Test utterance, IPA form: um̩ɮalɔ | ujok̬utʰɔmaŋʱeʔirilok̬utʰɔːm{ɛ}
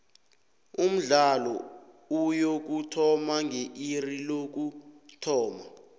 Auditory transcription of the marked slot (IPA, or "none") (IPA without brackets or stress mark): a